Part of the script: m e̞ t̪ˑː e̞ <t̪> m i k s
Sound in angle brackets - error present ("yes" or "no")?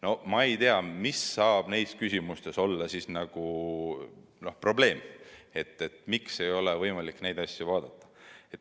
no